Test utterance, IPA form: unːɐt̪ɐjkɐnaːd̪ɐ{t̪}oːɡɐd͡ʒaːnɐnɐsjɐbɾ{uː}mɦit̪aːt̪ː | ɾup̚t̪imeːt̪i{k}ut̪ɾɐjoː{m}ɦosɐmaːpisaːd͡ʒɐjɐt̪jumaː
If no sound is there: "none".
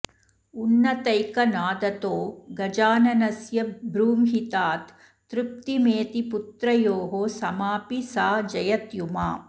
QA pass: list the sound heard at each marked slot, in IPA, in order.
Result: t̪, uː, p, none

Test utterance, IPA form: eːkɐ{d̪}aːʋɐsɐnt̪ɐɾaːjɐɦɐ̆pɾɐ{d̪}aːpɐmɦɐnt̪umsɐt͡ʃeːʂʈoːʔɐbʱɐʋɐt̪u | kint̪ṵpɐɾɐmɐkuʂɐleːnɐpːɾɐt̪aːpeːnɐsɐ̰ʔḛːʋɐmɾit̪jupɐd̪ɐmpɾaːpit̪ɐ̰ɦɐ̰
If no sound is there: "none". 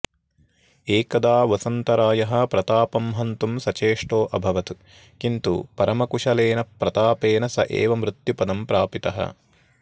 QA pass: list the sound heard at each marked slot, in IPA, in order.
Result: d̪, t̪

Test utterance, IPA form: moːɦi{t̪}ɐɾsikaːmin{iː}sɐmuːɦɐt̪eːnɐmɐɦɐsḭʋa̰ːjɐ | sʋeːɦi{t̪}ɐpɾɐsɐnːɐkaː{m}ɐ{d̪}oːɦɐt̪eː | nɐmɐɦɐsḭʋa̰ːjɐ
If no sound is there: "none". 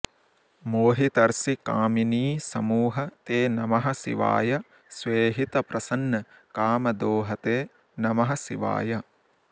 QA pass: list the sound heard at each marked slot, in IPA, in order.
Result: t̪, iː, t̪, m, d̪

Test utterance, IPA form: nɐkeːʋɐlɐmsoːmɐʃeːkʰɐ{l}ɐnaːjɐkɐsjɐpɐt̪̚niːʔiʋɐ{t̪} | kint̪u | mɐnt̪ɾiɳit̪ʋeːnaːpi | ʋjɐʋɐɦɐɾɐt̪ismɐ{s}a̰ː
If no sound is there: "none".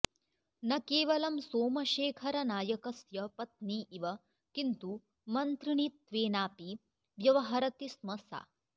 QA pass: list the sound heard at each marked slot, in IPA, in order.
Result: ɾ, none, s

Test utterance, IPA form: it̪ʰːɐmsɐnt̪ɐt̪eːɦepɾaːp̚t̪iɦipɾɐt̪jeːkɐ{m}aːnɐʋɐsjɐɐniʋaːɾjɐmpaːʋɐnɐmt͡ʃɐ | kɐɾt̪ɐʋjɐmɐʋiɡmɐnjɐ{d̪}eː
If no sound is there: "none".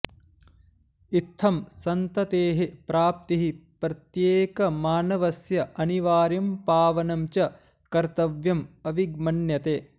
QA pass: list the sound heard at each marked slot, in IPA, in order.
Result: m, t̪

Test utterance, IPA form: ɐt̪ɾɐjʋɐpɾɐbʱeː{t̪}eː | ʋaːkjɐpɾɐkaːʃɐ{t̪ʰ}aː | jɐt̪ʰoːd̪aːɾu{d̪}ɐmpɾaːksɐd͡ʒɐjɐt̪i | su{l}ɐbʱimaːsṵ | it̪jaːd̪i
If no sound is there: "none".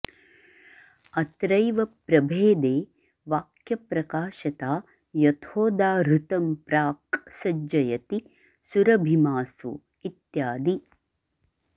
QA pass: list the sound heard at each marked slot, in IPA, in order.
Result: d̪, t̪, t̪, ɾ

